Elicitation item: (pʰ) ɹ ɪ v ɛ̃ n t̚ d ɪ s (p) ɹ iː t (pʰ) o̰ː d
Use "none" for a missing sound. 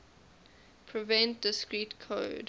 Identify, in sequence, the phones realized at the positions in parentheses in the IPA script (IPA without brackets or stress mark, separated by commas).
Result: pʰ, k, kʰ